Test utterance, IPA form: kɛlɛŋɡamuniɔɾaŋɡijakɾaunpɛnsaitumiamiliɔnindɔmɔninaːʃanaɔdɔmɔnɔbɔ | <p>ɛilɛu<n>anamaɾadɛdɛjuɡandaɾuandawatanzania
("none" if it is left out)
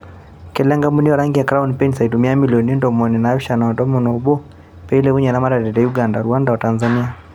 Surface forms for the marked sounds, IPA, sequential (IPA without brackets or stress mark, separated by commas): p, ɲ